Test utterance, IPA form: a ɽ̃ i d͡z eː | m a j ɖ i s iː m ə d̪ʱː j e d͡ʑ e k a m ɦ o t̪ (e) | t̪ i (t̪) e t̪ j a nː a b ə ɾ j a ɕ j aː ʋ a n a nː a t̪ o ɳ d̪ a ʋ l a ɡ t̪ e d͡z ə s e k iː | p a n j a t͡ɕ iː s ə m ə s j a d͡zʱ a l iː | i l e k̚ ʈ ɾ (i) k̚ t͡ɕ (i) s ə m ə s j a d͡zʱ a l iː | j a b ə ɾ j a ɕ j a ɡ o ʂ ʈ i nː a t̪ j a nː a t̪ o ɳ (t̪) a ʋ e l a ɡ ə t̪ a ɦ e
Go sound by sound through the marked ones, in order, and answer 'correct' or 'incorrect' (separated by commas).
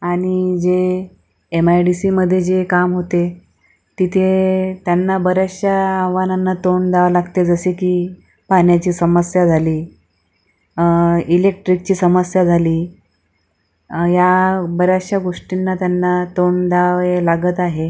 correct, incorrect, correct, incorrect, incorrect